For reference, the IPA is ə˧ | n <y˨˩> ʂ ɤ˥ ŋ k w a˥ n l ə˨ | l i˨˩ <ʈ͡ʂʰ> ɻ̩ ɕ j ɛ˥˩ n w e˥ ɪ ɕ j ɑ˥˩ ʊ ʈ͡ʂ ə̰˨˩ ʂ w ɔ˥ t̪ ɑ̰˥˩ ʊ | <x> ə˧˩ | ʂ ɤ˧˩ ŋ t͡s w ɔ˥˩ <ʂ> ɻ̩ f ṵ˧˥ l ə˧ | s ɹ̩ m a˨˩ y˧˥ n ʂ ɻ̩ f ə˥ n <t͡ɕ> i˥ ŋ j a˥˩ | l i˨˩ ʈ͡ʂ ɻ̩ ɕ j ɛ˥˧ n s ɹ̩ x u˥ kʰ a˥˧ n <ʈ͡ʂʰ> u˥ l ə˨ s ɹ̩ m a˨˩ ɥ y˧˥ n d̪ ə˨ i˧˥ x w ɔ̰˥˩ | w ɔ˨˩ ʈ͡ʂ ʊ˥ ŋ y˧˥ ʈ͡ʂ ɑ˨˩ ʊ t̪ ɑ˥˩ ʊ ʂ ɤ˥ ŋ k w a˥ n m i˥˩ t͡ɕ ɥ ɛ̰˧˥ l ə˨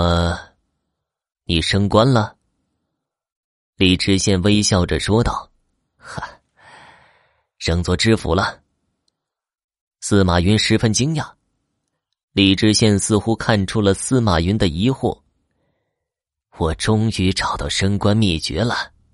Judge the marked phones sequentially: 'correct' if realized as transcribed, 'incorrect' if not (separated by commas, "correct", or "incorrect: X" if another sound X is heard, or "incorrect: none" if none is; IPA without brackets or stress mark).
incorrect: i˨˩, incorrect: ʈ͡ʂ, correct, incorrect: ʈ͡ʂ, correct, correct